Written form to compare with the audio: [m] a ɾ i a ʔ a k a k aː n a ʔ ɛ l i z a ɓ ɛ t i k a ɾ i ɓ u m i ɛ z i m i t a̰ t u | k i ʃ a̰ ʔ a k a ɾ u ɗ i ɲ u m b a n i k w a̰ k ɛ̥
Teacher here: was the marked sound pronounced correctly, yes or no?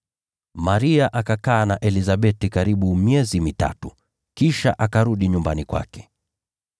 yes